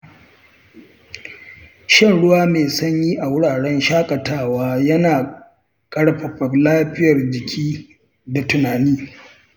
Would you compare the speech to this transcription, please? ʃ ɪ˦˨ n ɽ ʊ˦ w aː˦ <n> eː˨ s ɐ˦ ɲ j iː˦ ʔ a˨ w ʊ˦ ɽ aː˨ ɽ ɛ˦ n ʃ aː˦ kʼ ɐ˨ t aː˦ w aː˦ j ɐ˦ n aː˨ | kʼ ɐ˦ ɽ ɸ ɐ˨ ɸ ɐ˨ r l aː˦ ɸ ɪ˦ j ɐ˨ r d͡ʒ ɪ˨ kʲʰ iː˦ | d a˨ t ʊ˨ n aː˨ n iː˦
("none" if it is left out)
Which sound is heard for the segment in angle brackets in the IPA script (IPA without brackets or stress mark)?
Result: m